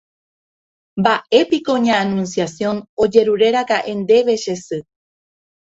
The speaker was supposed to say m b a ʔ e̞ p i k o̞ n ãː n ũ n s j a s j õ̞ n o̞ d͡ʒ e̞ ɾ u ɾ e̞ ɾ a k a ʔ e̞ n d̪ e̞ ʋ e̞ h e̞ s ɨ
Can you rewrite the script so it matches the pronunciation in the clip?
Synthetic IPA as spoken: m b a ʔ e̞ p i k o̞ ɲ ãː n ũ n s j a s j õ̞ n o̞ d͡ʒ e̞ ɾ u ɾ e̞ ɾ a k a ʔ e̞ n d̪ e̞ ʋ e̞ ʃ e̞ s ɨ